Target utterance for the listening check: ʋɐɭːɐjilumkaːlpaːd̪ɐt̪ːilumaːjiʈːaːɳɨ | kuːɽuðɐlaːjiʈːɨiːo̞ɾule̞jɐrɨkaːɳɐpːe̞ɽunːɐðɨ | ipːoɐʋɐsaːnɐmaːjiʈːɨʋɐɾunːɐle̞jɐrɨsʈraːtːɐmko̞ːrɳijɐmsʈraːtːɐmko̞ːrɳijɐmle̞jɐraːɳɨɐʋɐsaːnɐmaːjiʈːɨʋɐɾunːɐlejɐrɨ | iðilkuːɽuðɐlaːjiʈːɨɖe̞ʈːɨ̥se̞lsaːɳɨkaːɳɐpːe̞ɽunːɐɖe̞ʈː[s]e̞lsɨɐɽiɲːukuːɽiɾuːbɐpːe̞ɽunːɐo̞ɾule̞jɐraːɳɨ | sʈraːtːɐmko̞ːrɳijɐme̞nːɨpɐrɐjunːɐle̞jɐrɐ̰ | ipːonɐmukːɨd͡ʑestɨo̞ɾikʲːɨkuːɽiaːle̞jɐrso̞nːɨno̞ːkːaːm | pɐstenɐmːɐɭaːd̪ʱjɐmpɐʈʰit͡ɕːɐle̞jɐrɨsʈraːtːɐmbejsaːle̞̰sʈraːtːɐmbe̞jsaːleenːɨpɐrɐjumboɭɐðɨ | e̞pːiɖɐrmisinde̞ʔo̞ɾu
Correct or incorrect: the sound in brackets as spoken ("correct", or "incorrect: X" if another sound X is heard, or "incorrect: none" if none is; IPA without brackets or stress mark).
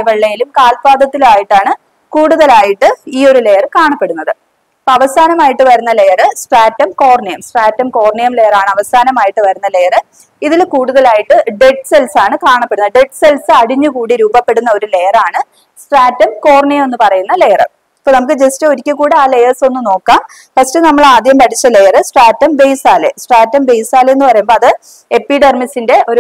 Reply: correct